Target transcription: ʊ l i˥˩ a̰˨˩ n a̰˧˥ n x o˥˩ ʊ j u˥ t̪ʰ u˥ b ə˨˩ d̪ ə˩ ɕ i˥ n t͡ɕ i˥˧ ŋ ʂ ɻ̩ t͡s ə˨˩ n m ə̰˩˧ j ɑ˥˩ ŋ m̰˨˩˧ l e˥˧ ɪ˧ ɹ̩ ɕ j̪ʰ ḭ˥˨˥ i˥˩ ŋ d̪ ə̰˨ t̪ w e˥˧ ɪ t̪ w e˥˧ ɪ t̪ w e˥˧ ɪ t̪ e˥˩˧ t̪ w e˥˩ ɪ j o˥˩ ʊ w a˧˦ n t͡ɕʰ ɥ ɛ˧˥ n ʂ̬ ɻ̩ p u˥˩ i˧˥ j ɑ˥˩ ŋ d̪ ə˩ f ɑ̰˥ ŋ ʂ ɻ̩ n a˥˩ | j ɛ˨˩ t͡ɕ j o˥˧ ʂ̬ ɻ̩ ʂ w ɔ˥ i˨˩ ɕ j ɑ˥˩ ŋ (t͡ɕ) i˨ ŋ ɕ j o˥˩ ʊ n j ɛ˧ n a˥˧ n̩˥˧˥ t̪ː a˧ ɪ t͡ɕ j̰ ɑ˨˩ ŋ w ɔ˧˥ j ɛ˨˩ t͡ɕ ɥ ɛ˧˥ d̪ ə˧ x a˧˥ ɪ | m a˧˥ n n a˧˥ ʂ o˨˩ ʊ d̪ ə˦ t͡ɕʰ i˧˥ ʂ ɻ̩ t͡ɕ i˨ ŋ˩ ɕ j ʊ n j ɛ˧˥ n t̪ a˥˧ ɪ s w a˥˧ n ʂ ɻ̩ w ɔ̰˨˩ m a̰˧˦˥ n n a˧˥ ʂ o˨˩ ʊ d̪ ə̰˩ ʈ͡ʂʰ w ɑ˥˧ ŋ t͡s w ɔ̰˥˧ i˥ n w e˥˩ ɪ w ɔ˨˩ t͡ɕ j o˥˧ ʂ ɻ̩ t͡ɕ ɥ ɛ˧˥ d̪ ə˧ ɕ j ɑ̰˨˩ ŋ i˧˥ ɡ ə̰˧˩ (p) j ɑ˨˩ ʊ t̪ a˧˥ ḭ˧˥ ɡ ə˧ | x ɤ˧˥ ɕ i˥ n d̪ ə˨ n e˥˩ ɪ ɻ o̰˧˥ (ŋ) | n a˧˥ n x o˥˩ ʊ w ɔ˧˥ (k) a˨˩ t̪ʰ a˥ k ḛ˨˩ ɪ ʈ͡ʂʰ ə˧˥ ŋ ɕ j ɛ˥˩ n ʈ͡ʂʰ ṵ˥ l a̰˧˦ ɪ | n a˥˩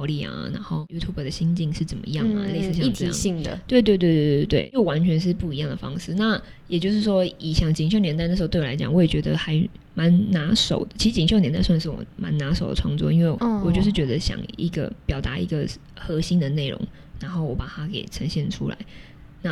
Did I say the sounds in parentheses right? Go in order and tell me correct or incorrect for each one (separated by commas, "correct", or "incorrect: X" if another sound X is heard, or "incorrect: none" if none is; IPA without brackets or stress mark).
correct, correct, correct, incorrect: p